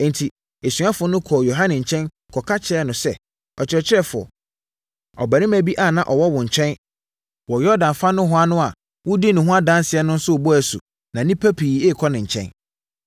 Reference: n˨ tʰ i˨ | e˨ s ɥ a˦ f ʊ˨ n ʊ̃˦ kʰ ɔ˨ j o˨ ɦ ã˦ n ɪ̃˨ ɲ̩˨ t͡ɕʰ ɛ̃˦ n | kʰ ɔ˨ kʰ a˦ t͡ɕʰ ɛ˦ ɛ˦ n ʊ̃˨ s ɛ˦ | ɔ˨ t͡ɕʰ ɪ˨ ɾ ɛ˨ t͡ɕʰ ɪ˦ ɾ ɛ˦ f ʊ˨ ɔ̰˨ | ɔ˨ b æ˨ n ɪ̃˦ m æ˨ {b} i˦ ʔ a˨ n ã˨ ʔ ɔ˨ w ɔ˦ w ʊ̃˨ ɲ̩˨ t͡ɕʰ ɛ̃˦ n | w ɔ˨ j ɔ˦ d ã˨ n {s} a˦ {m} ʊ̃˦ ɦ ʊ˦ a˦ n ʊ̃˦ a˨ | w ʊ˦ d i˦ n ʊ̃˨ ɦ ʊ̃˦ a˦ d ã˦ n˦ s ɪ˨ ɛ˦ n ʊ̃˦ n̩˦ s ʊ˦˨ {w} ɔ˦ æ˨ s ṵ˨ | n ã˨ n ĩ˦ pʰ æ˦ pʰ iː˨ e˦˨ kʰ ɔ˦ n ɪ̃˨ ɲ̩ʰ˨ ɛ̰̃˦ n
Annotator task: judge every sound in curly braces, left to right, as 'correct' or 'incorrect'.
correct, incorrect: f, incorrect: n, incorrect: b

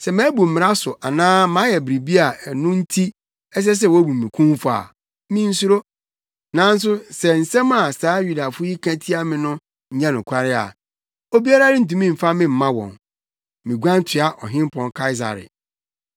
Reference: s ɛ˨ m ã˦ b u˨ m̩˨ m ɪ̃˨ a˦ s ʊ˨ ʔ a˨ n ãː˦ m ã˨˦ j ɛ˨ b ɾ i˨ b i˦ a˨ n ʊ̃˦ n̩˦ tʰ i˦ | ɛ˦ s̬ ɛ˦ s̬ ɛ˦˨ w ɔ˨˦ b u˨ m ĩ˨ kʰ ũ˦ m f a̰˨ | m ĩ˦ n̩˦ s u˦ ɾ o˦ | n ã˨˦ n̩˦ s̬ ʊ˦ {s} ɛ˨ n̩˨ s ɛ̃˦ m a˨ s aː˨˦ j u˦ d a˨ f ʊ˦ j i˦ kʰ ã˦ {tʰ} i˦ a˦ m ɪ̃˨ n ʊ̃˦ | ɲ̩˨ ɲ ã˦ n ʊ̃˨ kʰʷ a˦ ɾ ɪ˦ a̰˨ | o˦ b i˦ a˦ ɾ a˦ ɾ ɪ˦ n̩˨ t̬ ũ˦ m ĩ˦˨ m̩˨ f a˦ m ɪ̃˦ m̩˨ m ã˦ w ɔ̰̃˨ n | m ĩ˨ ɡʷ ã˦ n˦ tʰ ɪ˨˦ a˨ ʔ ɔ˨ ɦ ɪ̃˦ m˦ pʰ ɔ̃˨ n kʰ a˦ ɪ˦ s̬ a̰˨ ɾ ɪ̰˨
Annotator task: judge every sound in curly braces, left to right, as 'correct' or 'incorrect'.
correct, correct

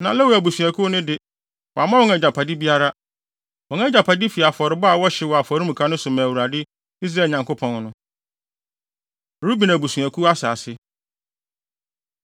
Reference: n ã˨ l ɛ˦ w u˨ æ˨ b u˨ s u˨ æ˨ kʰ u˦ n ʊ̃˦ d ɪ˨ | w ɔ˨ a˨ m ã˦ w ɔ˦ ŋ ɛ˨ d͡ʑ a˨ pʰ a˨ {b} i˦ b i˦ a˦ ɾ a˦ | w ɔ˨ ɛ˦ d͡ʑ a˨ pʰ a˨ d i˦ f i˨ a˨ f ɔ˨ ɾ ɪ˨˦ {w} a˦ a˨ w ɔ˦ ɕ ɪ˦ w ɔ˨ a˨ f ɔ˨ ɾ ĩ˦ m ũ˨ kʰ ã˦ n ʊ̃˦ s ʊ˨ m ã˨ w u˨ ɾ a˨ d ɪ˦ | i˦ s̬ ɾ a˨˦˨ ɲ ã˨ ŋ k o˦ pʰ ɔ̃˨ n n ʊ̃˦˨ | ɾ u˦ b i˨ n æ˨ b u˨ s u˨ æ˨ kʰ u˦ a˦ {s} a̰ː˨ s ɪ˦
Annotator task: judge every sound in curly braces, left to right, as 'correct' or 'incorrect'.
incorrect: d, incorrect: b, correct

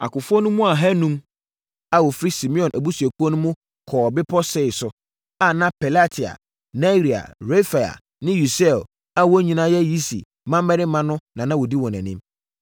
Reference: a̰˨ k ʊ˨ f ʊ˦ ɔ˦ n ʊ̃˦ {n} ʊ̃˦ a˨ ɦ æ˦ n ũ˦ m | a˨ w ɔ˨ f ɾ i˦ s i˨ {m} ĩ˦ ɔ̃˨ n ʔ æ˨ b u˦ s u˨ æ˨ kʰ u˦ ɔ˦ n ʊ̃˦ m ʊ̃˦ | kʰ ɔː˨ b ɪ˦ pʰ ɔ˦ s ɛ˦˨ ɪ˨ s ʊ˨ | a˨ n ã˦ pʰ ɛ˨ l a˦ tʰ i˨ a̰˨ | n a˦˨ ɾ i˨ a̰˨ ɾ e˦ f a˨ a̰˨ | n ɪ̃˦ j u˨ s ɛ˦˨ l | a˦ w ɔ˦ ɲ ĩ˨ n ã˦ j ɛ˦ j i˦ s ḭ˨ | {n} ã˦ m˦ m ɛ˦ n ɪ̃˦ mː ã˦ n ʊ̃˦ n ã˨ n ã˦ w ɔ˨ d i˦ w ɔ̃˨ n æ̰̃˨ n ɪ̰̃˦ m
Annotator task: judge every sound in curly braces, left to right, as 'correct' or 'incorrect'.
incorrect: m, correct, incorrect: m

